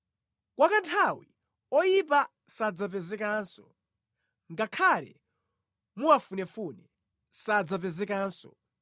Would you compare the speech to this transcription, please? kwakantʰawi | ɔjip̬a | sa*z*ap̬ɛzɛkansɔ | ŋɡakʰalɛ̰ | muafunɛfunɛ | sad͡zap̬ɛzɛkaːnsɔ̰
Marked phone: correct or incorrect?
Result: incorrect